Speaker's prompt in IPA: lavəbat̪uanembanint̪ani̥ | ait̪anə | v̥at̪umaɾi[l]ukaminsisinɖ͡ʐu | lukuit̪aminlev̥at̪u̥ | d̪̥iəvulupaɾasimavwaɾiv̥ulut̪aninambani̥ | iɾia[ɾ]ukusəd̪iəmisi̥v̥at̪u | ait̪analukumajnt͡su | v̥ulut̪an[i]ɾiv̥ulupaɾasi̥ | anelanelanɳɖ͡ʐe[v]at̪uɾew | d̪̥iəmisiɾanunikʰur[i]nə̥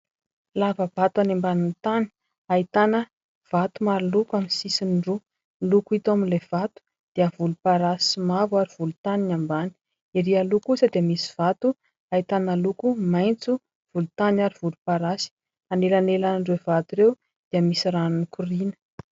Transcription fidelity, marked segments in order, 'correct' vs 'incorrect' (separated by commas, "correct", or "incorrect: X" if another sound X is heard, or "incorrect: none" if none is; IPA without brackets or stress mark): correct, incorrect: l, incorrect: a, correct, correct